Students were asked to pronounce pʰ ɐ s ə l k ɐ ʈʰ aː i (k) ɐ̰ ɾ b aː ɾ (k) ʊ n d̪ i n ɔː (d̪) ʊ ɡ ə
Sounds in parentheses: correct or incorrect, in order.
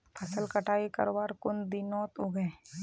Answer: correct, correct, incorrect: t̪

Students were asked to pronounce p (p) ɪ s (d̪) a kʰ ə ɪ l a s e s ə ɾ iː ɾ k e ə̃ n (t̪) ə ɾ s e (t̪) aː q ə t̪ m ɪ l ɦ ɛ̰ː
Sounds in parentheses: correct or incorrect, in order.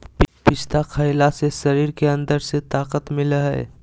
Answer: correct, incorrect: t̪, incorrect: d̪, correct

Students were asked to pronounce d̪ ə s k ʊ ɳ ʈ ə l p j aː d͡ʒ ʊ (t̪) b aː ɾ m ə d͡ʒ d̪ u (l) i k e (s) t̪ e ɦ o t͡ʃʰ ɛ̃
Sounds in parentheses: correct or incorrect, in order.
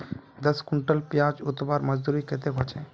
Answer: correct, incorrect: ɾ, incorrect: none

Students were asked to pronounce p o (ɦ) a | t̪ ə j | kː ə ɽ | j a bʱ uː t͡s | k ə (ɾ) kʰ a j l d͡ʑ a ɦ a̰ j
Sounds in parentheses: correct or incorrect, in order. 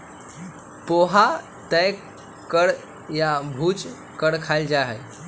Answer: correct, incorrect: ɽ

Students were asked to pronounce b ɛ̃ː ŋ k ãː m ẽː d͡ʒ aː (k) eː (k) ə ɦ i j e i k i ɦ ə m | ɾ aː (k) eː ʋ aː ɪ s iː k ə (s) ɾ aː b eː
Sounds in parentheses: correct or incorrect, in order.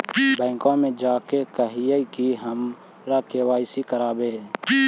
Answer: correct, correct, correct, incorrect: none

